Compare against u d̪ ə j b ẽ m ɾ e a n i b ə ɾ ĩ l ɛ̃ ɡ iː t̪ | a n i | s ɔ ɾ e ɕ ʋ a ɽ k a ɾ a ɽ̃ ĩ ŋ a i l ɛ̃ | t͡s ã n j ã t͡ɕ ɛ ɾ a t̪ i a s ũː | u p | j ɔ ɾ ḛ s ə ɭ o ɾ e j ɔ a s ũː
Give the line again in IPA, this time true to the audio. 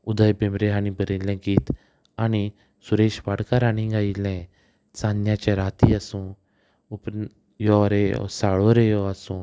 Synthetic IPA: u d̪ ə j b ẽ m ɾ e a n i b ə ɾ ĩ l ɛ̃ ɡ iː t̪ | a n i | s u ɾ e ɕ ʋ a ɽ k a ɾ a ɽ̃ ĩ ɡ a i l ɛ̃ | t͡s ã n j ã t͡ɕ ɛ ɾ a t̪ i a s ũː | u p | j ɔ ɾ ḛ s a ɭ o ɾ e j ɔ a s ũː